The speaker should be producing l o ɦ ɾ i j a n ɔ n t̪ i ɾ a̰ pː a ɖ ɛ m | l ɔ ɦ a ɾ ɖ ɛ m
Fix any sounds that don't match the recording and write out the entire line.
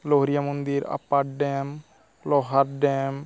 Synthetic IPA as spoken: l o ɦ ɾ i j a m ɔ n d̪ i ɾ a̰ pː a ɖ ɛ m | l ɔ ɦ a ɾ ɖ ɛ m